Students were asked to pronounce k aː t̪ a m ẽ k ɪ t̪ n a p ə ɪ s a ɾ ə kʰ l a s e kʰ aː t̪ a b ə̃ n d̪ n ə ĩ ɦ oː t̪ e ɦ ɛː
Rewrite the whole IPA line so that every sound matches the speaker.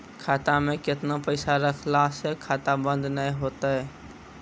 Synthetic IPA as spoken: kʰ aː t̪ a m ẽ k ɪ t̪ n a p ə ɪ s a ɾ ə kʰ l a s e kʰ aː t̪ a b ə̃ n d̪ n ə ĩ ɦ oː t̪ a ɦ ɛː